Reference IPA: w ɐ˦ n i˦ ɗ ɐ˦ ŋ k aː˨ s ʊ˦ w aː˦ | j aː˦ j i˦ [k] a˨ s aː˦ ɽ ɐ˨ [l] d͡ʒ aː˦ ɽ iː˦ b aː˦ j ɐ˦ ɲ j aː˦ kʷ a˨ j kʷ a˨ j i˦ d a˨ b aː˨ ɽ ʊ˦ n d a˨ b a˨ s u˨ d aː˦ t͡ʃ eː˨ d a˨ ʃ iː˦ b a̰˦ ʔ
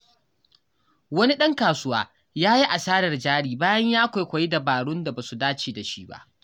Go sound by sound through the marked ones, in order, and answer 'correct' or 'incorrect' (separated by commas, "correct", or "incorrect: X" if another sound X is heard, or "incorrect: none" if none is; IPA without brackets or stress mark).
incorrect: ʔ, incorrect: r